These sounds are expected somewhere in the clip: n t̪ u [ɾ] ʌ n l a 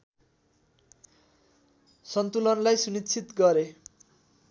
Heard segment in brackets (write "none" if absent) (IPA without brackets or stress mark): l